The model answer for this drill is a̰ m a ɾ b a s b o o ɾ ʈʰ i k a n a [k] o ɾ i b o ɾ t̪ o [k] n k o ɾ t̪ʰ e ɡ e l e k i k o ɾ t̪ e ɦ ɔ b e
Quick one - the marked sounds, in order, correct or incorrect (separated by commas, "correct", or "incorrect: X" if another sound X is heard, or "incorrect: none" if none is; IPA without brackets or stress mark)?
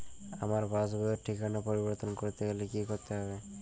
incorrect: p, incorrect: none